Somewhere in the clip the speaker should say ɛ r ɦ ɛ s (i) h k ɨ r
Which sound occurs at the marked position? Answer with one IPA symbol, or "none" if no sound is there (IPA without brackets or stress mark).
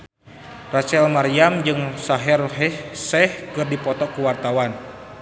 ɛ